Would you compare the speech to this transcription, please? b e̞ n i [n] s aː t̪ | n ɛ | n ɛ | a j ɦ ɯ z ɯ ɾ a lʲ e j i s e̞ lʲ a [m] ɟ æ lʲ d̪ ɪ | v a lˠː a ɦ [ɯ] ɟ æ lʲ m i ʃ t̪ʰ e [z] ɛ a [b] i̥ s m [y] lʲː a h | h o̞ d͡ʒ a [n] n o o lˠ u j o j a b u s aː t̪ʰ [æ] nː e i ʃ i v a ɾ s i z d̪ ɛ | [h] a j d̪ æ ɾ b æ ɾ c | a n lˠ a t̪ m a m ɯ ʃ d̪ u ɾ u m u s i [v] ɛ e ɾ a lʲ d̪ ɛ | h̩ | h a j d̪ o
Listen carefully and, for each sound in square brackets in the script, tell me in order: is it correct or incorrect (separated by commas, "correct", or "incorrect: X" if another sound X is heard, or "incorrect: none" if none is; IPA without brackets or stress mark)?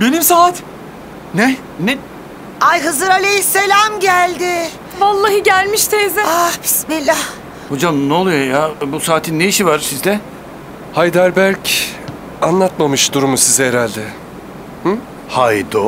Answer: incorrect: m, correct, correct, correct, correct, incorrect: i, incorrect: m, incorrect: i, correct, incorrect: z